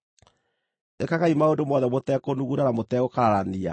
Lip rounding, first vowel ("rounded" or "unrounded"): unrounded